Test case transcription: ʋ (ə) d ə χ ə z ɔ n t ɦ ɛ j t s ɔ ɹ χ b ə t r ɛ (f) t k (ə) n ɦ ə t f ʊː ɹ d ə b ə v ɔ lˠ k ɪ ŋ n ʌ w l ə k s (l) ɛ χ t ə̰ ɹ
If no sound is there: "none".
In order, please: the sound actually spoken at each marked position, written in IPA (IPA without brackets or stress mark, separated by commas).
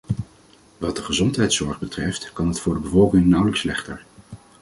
ɑ, f, ɑ, l